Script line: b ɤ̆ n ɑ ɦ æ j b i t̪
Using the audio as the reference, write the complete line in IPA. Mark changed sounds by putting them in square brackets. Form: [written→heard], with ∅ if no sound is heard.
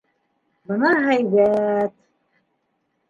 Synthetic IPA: b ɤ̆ n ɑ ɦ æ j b [i→æ] t̪